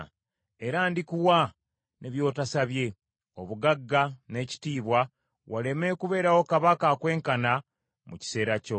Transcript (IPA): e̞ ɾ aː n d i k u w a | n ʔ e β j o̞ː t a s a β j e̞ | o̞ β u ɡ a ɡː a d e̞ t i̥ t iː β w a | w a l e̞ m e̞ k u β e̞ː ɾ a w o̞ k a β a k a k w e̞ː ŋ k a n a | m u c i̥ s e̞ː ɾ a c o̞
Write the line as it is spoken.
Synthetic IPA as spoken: e̞ ɾ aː n d i k u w a | n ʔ e β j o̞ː t a s a β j e̞ | o̞ β u ɡ a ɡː a n e̞ c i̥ t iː β w a | w a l e̞ m e̞ k u β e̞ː ɾ a w o̞ k a β a k a k w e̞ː ŋ k a n a | m u c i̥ s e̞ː ɾ a c o̞